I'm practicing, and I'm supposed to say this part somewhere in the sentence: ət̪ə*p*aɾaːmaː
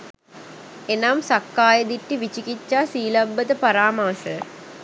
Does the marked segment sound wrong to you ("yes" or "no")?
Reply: no